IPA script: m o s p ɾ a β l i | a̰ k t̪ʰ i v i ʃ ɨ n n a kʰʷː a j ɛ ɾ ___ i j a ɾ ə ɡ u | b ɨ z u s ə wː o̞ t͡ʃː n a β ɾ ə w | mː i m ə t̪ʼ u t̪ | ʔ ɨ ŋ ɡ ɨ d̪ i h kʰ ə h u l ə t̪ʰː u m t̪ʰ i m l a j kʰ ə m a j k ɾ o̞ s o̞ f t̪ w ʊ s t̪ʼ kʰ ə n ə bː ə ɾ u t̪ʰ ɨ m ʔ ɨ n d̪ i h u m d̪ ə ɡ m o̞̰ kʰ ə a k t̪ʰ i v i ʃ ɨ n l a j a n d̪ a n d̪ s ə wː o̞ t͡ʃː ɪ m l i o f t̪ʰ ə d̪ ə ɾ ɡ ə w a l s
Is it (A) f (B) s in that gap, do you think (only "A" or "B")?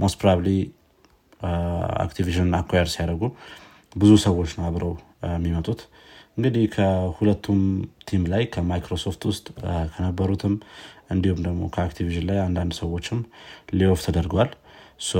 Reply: B